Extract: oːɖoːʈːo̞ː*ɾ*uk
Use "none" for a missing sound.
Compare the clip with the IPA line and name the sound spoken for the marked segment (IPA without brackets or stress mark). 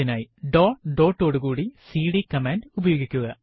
ɽ